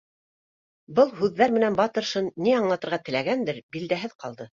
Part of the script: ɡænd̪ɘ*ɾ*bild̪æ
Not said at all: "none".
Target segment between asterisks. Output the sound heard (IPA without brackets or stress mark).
ɾ